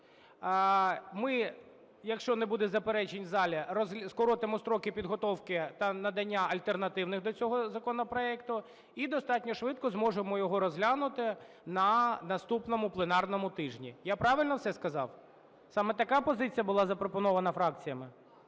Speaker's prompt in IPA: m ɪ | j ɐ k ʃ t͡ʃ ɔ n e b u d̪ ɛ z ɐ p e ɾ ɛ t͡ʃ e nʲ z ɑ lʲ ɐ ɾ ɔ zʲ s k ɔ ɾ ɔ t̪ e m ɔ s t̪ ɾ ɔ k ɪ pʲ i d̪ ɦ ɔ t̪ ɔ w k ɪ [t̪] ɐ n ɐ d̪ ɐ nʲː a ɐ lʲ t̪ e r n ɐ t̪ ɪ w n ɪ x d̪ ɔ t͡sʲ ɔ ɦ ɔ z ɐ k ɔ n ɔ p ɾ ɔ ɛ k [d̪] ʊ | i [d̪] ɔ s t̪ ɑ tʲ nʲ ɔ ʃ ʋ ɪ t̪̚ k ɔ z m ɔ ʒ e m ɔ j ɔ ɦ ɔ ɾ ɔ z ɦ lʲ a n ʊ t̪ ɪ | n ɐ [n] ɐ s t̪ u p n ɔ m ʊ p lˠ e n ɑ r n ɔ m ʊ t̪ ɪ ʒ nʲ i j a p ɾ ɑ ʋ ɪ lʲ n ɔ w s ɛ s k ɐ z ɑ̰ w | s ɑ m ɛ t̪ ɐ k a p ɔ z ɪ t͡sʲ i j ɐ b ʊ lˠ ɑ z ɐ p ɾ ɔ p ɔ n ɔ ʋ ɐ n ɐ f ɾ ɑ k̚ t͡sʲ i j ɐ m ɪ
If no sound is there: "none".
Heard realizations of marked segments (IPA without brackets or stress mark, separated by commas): t̪, t̪, d̪, n